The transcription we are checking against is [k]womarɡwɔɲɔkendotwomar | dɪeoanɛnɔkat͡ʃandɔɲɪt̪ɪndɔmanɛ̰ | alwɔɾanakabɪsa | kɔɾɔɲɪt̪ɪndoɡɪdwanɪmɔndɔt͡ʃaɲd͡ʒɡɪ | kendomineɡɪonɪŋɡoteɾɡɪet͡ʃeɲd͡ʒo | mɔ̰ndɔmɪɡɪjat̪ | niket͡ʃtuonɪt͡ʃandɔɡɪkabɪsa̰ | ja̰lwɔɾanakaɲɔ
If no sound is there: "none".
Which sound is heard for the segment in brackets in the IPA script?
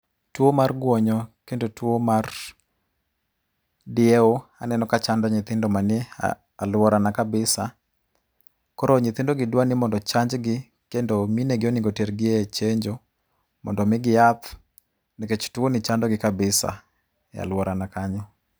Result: t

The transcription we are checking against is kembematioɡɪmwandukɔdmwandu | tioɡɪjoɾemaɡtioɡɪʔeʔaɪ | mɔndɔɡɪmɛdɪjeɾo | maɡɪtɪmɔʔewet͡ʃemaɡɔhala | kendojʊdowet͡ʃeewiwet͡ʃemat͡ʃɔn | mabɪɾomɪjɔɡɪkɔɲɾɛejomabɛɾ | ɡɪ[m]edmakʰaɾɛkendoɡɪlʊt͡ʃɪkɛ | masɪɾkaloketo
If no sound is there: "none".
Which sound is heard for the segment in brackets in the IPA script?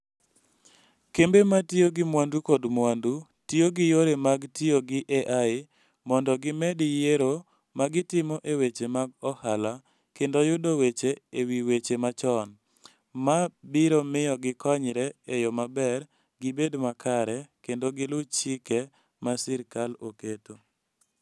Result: b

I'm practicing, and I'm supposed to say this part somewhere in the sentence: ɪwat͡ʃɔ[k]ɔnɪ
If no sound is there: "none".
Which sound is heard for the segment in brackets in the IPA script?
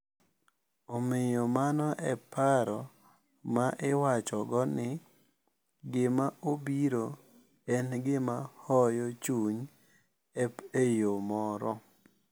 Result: ɡ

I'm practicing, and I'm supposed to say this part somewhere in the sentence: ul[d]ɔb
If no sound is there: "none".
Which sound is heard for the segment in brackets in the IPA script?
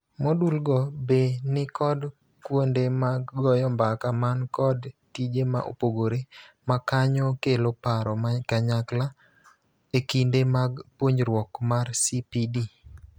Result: ɡ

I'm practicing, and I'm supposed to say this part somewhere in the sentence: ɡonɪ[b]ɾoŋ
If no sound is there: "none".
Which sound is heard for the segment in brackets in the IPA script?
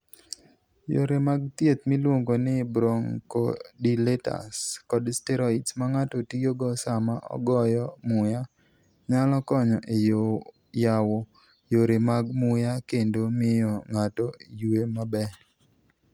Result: b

